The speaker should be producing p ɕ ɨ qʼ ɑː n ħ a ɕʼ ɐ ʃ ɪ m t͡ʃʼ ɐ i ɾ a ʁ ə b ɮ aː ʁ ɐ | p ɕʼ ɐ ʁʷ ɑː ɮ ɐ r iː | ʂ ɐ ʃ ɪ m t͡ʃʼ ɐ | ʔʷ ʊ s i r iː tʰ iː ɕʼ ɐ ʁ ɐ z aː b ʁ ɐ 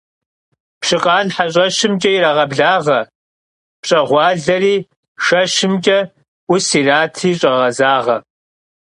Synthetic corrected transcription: p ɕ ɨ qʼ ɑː n ħ a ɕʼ ɐ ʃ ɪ m t͡ʃʼ ɐ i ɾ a ʁ ɐ b ɮ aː ʁ ɐ | p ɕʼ ɐ ʁʷ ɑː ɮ ɐ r iː | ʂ ɐ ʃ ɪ m t͡ʃʼ ɐ | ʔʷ ʊ s i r aː tʰ iː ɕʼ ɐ ʁ ɐ z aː ʁ ɐ